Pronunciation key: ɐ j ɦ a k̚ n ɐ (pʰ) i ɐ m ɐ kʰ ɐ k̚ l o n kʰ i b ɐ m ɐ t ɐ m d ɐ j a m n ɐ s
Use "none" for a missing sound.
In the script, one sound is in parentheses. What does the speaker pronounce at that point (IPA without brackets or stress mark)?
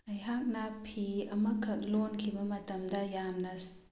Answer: pʰ